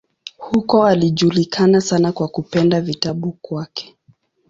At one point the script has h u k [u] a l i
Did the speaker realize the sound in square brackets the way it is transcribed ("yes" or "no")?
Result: no